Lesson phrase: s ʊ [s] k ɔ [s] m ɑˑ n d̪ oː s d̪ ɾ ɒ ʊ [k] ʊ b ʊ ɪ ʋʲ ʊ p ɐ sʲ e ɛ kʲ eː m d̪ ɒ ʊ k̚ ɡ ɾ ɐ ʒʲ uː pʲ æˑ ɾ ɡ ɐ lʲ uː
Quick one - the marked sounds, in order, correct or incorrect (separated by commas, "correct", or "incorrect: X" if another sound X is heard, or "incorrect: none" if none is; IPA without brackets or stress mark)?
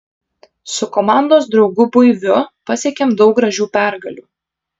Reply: incorrect: none, incorrect: none, incorrect: ɡ